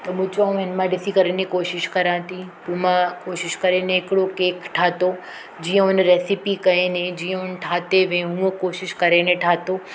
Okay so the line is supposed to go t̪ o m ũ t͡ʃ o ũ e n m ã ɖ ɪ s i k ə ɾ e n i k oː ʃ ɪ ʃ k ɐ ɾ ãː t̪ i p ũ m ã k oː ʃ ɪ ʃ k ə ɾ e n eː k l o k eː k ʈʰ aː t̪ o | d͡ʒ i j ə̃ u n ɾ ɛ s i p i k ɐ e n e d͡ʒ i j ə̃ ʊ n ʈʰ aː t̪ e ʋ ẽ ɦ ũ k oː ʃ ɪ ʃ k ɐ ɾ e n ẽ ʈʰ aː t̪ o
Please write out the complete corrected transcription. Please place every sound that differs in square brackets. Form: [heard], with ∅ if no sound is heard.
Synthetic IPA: t̪ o m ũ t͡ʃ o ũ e n m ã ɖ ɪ s i k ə ɾ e n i k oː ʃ ɪ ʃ k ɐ ɾ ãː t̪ i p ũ m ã k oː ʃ ɪ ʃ k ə ɾ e n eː k [ɽ] o k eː k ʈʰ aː t̪ o | d͡ʒ i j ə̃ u n ɾ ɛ s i p i k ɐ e n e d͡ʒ i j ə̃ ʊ n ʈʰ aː t̪ e ʋ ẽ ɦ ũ k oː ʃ ɪ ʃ k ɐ ɾ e n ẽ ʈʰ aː t̪ o

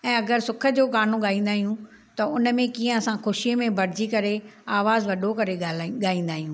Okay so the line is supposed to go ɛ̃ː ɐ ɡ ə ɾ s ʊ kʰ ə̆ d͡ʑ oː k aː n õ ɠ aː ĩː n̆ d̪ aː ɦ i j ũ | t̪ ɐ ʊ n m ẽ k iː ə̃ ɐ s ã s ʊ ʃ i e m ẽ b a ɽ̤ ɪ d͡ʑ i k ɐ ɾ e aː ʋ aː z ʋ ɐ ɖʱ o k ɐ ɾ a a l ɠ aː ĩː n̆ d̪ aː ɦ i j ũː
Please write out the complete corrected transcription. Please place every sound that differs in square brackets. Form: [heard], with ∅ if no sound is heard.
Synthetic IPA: ɛ̃ː ɐ ɡ ə ɾ s ʊ kʰ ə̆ d͡ʑ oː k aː n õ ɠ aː ĩː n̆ d̪ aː ɦ i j ũ | t̪ ɐ ʊ n m ẽ k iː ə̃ ɐ s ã [x] ʊ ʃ i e m ẽ b [ɐ] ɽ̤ ɪ d͡ʑ i k ɐ ɾ e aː ʋ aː z ʋ ɐ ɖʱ o k ɐ ɾ [e] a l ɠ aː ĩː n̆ d̪ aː ɦ i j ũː

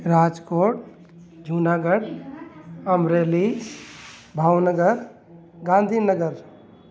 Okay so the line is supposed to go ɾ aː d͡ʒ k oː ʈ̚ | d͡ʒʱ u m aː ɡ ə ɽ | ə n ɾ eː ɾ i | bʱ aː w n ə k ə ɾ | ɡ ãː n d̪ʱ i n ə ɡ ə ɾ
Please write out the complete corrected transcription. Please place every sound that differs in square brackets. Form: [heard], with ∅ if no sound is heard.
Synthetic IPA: ɾ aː d͡ʒ k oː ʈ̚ | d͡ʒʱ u [n] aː ɡ ə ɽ | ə [m] ɾ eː [l] i | bʱ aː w n ə [ɡ] ə ɾ | ɡ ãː n d̪ʱ i n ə ɡ ə ɾ

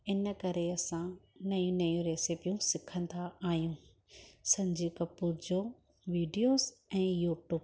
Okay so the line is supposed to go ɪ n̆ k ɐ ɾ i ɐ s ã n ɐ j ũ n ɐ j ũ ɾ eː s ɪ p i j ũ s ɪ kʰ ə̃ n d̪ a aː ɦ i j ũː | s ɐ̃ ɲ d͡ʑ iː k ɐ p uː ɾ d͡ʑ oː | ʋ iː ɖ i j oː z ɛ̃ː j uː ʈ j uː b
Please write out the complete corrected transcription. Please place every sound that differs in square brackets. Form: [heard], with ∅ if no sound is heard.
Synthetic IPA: ɪ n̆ k ɐ ɾ [e] ɐ s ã n ɐ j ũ n ɐ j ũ ɾ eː s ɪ p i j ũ s ɪ kʰ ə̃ n d̪ a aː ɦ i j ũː | s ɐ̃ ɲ d͡ʑ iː k ɐ p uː ɾ d͡ʑ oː | ʋ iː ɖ i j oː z ɛ̃ː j uː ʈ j uː b

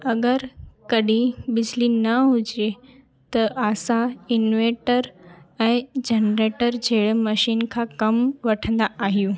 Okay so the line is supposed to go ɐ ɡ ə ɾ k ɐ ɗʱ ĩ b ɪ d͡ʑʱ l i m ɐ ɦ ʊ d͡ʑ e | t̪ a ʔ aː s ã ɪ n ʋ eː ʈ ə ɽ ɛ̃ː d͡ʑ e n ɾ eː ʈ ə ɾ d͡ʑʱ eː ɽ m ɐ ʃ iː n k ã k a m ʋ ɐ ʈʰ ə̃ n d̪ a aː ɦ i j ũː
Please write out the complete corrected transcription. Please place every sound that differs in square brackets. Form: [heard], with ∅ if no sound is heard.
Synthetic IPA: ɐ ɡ ə ɾ k ɐ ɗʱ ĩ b ɪ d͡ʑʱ l i [n] ɐ ɦ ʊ d͡ʑ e | t̪ [ɐ] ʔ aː s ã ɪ n ʋ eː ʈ ə [ɾ] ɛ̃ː d͡ʑ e n ɾ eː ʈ ə ɾ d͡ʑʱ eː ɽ m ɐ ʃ iː n [kʰ] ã k [ɐ] m ʋ ɐ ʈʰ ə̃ n d̪ a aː ɦ i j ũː

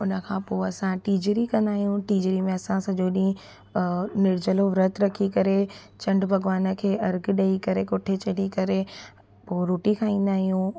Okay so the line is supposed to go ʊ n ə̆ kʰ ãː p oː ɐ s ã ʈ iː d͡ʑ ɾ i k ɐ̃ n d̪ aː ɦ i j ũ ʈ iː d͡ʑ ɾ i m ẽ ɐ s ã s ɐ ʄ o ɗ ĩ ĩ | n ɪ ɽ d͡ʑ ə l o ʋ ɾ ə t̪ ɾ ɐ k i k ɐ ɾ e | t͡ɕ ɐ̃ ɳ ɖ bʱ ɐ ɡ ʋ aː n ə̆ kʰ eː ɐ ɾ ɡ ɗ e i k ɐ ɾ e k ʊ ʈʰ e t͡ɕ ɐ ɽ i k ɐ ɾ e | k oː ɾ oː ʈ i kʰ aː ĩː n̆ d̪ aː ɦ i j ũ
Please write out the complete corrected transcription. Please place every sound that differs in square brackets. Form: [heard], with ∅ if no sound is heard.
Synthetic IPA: ʊ n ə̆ kʰ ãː p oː ɐ s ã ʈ iː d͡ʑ ɾ i k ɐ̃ n d̪ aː ɦ i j ũ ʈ iː d͡ʑ ɾ i m ẽ ɐ s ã s ɐ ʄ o ɗ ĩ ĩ | n ɪ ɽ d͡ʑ ə l o ʋ ɾ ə t̪ ɾ ɐ [kʰ] i k ɐ ɾ e | t͡ɕ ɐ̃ ɳ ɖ bʱ ɐ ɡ ʋ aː n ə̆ kʰ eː ɐ ɾ ɡ ɗ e i k ɐ ɾ e k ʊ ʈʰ e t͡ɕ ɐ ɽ i k ɐ ɾ e | [p] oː ɾ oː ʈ i kʰ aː ĩː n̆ d̪ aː ɦ i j ũ

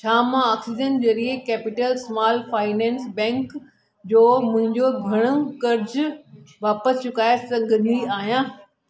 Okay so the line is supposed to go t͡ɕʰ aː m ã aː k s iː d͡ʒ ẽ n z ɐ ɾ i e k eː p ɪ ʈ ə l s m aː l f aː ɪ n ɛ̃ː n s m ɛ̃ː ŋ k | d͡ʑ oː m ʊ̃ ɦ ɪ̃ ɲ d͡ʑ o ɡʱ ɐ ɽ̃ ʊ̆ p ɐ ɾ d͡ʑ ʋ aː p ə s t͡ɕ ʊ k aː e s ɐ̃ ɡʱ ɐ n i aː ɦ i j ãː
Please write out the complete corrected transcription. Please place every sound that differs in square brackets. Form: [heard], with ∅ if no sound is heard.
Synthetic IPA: t͡ɕʰ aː m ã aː k s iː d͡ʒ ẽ n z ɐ ɾ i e k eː p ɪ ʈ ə l s m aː l f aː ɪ n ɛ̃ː n s [b] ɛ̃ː ŋ k | d͡ʑ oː m ʊ̃ ɦ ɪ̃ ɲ d͡ʑ o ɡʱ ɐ ɽ̃ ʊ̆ [k] ɐ ɾ d͡ʑ ʋ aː p ə s t͡ɕ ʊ k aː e s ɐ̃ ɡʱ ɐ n i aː ɦ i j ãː

